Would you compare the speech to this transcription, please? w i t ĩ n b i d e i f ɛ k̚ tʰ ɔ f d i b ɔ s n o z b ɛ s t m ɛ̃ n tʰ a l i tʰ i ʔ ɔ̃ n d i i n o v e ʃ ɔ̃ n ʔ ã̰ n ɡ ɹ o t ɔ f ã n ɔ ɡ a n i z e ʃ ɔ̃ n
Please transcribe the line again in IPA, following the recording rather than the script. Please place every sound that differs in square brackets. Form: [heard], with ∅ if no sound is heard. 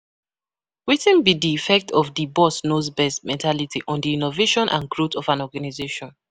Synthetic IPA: w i t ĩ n b i d [i] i f ɛ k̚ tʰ ɔ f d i b ɔ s n o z b ɛ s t m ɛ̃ n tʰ a l i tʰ i ʔ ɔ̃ n d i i n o v e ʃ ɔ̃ n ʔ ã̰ n ɡ ɹ o t ɔ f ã n ɔ ɡ a n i z e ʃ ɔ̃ n